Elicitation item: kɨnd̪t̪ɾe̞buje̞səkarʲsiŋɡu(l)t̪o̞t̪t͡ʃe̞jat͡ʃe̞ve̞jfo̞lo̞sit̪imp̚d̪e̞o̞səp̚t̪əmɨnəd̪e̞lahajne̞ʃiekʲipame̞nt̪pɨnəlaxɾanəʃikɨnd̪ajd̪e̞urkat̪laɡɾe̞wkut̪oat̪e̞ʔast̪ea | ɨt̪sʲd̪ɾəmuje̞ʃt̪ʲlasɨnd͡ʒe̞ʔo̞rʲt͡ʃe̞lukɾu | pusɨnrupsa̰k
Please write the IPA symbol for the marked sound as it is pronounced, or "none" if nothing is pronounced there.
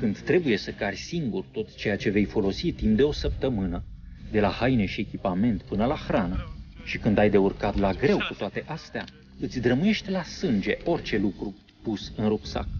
r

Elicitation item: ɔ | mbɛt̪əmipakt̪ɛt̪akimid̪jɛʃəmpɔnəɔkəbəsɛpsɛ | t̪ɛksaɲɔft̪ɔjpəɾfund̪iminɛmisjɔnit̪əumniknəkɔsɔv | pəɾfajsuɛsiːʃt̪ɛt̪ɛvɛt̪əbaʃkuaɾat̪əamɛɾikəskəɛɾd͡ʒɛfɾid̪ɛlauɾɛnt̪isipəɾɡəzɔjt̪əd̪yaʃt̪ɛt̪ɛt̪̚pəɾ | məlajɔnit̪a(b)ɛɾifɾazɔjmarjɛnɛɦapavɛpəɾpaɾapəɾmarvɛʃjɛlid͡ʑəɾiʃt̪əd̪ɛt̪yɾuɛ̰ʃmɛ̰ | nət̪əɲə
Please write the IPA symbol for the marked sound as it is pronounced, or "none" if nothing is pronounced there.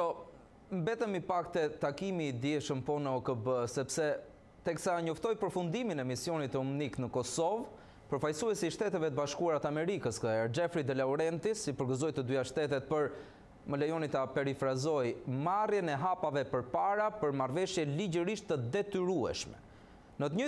p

